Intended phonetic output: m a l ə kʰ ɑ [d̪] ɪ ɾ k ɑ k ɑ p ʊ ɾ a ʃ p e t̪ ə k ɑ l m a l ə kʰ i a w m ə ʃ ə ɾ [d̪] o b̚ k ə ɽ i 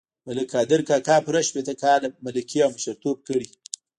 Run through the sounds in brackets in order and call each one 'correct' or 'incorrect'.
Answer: correct, incorrect: t̪

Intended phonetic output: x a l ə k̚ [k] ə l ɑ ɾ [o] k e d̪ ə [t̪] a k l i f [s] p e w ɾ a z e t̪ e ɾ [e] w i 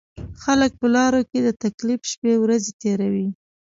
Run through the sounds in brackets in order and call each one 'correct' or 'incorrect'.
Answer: incorrect: p, correct, correct, incorrect: ʃ, incorrect: a

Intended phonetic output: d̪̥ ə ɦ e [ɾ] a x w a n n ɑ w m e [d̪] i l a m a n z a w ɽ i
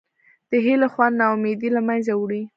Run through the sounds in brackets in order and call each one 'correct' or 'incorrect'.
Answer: incorrect: l, correct

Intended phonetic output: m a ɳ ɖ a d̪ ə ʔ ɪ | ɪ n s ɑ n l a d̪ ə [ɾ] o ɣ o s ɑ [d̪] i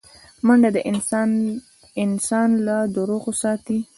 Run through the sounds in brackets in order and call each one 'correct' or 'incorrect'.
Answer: correct, incorrect: t̪

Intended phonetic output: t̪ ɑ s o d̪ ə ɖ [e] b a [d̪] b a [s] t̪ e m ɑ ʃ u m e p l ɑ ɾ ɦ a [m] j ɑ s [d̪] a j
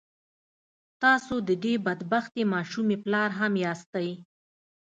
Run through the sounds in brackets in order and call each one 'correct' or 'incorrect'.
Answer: correct, correct, incorrect: x, correct, incorrect: t̪

